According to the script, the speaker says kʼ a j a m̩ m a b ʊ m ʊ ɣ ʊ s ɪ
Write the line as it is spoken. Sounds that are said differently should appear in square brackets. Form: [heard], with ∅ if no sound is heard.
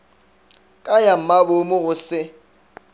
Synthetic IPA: kʼ a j a m̩ m a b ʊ m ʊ ɣ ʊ s ɪ